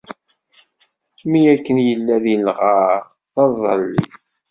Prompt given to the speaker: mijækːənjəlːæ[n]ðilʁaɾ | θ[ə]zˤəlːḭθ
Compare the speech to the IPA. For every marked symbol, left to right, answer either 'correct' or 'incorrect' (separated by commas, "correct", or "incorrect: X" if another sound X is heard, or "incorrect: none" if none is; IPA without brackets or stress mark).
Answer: incorrect: none, incorrect: ɑ